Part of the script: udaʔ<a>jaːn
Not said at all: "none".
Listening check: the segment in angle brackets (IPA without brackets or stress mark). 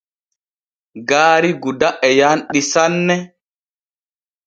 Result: ɛ